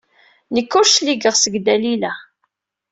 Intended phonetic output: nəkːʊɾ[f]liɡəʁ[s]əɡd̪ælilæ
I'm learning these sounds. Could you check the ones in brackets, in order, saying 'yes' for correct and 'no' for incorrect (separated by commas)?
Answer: no, yes